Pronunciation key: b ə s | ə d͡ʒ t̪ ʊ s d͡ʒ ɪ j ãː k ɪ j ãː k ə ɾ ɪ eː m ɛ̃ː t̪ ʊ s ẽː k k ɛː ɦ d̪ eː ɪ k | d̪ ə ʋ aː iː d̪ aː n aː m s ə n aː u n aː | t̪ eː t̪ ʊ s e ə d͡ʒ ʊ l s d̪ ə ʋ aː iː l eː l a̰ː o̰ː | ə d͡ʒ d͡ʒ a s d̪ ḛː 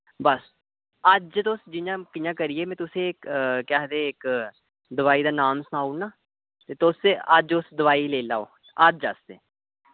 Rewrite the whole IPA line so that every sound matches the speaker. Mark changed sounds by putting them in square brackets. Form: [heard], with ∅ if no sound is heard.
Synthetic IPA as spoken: b ə s | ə d͡ʒ t̪ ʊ s d͡ʒ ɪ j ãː k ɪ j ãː k ə ɾ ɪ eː m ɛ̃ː t̪ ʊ s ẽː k k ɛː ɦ d̪ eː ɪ k | d̪ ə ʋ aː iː d̪ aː n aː m s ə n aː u n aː | t̪ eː t̪ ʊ s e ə d͡ʒ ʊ [∅] s d̪ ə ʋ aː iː l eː l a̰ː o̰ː | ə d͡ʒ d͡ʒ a s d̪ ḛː